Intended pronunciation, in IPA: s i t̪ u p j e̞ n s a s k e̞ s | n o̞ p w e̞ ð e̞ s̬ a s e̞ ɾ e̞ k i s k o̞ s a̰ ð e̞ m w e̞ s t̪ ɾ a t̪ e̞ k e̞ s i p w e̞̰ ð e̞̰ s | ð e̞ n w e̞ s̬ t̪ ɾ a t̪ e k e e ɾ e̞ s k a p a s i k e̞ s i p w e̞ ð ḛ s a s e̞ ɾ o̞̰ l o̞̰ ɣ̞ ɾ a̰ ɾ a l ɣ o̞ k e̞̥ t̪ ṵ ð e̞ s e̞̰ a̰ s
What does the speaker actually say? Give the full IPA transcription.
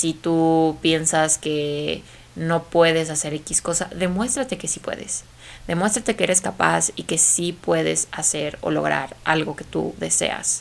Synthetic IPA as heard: s i t̪ u p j e̞ n s a s k e̞ | n o̞ p w e̞ ð e̞ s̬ a s e̞ ɾ e̞ k i s k o̞ s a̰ ð e̞ m w e̞ s t̪ ɾ a t̪ e̞ k e̞ s i p w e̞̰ ð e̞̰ s | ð e̞ m w e̞ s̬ t̪ ɾ a t̪ e k e e ɾ e̞ s k a p a s i k e̞ s i p w e̞ ð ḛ s a s e̞ ɾ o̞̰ l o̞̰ ɣ̞ ɾ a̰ ɾ a l ɣ o̞ k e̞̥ t̪ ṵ ð e̞ s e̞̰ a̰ s